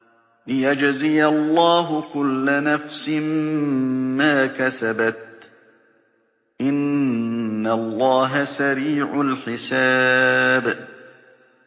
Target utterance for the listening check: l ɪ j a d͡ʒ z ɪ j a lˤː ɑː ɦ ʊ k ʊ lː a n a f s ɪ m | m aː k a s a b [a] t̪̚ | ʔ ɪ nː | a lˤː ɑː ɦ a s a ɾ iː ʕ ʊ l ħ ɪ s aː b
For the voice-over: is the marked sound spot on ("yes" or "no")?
yes